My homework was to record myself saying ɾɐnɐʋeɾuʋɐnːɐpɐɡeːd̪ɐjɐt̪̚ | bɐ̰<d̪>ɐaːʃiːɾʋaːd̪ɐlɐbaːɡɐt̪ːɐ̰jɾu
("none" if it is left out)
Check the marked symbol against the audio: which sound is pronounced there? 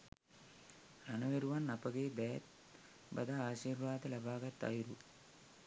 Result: d̪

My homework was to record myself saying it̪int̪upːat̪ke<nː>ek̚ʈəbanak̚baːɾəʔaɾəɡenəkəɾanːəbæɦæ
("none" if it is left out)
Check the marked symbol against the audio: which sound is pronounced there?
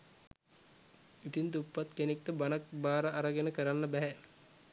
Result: n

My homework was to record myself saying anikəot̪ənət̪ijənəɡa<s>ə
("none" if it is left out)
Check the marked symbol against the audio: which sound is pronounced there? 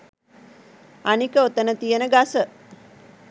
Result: s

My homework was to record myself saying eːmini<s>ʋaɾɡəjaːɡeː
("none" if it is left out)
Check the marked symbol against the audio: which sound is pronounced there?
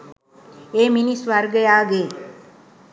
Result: s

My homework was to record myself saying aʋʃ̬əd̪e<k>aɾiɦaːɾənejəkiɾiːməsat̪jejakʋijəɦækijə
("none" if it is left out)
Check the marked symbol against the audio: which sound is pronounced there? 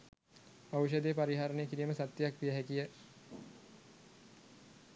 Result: p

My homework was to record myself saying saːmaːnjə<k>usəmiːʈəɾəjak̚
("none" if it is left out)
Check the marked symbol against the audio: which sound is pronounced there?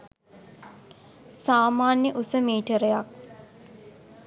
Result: ʔ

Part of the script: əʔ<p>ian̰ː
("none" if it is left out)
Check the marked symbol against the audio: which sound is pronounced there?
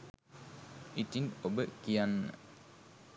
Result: k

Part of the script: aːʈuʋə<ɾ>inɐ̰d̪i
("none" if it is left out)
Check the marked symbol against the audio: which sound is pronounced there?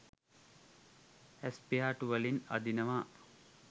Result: l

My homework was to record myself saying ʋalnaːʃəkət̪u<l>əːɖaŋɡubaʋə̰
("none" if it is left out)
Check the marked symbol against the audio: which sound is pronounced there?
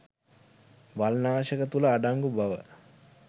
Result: l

